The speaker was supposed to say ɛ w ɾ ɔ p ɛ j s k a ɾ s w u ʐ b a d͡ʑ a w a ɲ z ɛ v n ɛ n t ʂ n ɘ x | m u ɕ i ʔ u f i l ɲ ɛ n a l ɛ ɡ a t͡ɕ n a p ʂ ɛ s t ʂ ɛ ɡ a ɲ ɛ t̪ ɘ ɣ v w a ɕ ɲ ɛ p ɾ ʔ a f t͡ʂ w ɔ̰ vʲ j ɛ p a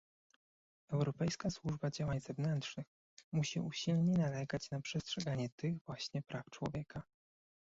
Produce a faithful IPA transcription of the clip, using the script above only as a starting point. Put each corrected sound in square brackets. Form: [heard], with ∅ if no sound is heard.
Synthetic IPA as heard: ɛ w ɾ ɔ p ɛ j s k a [∅] s w u ʐ b a d͡ʑ a w a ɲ z ɛ v n ɛ n t ʂ n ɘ x | m u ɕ i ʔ u [ɕ] i l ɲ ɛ n a l ɛ ɡ a t͡ɕ n a p ʂ ɛ s t ʂ ɛ ɡ a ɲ ɛ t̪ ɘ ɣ v w a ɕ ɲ ɛ p ɾ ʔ a f t͡ʂ w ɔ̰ vʲ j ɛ [k] a